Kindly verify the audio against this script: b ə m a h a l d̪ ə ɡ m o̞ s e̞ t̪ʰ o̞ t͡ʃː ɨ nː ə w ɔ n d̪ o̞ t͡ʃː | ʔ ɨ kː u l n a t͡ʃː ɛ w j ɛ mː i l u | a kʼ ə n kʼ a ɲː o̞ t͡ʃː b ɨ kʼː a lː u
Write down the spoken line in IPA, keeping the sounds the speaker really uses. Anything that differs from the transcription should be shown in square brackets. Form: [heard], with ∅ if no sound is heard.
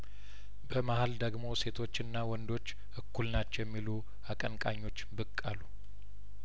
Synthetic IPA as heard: b ə m a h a l d̪ ə ɡ m o̞ s e̞ t̪ʰ o̞ t͡ʃː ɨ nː [a] w ɔ n d̪ o̞ t͡ʃː | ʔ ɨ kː u l n a t͡ʃː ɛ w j ɛ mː i l u | a kʼ ə n kʼ a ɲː o̞ t͡ʃː b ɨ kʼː a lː u

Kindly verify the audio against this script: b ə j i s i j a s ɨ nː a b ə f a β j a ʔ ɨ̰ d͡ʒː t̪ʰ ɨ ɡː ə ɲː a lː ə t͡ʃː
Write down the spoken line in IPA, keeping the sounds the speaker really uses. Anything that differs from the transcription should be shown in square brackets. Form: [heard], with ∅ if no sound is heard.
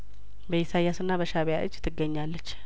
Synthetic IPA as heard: b ə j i s [a] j a s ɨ nː a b ə [ʃ] a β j a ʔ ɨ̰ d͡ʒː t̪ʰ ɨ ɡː ə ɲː a lː ə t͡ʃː

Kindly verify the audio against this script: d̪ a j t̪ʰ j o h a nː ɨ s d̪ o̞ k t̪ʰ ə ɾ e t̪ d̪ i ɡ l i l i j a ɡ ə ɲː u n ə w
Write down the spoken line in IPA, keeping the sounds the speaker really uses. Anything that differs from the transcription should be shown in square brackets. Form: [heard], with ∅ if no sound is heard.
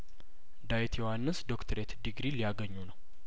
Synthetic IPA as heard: d̪ a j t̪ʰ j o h a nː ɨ s d̪ o̞ k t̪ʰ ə ɾ e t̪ d̪ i ɡ [ɾ] i l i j a ɡ ə ɲː u n ə w

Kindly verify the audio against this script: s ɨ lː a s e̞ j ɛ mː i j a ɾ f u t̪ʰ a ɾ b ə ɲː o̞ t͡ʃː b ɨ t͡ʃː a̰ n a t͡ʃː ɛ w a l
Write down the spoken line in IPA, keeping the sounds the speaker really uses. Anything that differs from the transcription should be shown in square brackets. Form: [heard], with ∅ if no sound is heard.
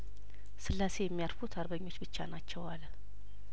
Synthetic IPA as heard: s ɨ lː a s e̞ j ɛ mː i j a ɾ f u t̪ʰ a ɾ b ə ɲː o̞ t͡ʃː b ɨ t͡ʃː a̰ n a t͡ʃː ɛ w a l

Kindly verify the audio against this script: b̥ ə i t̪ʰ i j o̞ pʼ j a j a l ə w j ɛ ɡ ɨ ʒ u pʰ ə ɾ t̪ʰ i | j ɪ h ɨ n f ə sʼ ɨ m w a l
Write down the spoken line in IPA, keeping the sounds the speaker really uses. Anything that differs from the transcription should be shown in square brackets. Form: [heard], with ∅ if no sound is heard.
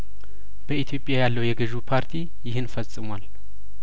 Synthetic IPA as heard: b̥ ə i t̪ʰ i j o̞ pʼ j a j a [lː] ə w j ɛ ɡ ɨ ʒ u pʰ [a] ɾ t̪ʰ i | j ɪ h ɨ n f ə sʼ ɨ m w a l

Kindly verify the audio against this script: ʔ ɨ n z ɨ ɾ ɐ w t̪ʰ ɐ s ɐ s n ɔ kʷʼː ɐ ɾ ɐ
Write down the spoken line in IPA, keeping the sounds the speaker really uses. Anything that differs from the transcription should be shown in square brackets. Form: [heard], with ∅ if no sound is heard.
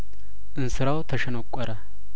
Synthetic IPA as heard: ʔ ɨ n [s] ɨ ɾ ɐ w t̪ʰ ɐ [ʃ] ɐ [∅] n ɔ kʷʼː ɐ ɾ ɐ

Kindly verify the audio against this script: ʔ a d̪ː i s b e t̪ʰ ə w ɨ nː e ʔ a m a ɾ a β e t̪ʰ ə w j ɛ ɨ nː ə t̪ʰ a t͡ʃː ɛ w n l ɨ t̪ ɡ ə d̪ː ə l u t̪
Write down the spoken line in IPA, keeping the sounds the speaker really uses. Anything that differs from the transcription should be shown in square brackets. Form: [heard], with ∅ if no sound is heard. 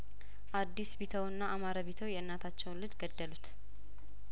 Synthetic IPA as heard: ʔ a d̪ː i s b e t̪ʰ ə w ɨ nː [a] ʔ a m a ɾ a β e t̪ʰ ə w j ɛ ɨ nː [a] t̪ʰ a t͡ʃː ɛ w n l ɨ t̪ ɡ ə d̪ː ə l u t̪

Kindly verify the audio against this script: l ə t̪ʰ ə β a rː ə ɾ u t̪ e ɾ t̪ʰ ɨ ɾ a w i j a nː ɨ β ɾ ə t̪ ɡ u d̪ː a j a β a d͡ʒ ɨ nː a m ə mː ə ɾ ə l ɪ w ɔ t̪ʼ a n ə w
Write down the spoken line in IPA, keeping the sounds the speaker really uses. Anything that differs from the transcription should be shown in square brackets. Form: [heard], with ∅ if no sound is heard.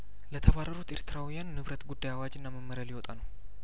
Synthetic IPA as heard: l ə t̪ʰ ə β a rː ə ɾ u t̪ e ɾ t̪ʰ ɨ ɾ a w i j a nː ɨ β ɾ ə t̪ ɡ u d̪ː a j a [w] a d͡ʒ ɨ nː a m ə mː ə ɾ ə l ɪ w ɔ t̪ʼ a n ə w

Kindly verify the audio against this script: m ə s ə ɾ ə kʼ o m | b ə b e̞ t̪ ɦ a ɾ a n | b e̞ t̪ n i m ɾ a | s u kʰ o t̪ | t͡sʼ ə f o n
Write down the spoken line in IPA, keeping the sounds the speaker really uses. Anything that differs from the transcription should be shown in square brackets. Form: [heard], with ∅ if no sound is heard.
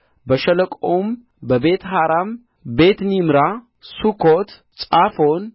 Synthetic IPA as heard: [b] ə [ʃ] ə [l] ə kʼ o m | b ə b e̞ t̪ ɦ a ɾ a [m] | b e̞ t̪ n i m ɾ a | s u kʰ o t̪ | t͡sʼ [a] f o n

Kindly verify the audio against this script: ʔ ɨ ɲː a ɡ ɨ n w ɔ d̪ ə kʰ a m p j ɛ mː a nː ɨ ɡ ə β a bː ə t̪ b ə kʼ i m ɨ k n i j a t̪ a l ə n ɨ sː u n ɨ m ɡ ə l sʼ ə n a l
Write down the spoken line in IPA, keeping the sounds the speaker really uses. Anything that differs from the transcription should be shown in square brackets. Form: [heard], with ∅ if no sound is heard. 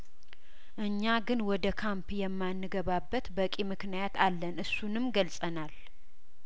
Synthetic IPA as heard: ʔ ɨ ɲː a ɡ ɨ n w ɔ d̪ ə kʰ a m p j ɛ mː a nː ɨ ɡ ə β a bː ə t̪ b ə kʼ i m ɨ k n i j a t̪ a [lː] ə n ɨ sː u n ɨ m ɡ ə l sʼ ə n a l

